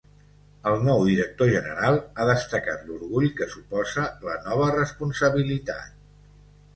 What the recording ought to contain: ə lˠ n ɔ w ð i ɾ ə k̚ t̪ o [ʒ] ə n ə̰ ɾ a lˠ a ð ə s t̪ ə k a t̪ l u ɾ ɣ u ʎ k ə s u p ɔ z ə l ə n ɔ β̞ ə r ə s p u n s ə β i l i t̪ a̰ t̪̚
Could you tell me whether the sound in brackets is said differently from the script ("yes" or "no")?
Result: no